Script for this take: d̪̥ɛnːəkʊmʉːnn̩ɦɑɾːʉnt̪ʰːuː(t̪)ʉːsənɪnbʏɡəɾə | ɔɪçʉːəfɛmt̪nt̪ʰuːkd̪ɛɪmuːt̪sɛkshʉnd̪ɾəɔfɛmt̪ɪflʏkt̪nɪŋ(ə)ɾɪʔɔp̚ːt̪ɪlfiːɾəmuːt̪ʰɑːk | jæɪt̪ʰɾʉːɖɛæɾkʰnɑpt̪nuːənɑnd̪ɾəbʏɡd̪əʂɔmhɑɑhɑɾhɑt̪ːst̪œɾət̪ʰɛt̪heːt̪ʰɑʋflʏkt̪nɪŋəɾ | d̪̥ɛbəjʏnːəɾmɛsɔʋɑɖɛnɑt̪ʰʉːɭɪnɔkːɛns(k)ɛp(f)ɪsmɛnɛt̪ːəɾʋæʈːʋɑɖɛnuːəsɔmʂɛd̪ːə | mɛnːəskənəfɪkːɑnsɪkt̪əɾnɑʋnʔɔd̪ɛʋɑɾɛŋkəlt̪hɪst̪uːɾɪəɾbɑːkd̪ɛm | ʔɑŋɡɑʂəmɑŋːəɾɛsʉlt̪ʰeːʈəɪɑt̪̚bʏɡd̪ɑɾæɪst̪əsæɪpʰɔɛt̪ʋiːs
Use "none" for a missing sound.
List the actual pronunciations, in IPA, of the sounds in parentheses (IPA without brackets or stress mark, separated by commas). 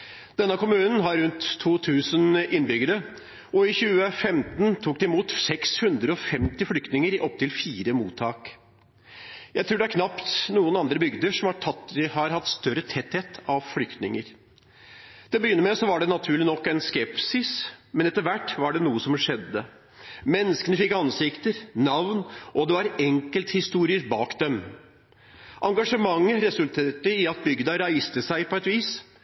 t̪ʰ, ə, k, s